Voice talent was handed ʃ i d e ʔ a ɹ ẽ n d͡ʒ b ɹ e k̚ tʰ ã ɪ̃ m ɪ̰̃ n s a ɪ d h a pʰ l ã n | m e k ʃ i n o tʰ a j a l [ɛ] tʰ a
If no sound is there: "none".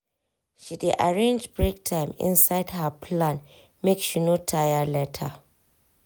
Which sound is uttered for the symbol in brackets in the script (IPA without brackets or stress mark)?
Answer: ɛ